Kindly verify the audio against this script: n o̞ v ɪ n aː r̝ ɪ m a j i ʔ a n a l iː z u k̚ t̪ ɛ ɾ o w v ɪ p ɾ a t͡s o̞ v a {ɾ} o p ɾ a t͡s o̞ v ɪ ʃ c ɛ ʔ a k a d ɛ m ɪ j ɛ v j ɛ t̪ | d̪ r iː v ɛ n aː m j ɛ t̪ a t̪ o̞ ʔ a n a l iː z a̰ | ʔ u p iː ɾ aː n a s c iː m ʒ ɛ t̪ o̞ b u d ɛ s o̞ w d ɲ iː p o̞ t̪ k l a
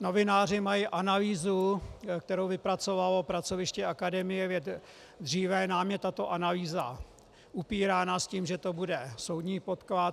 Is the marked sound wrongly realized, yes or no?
yes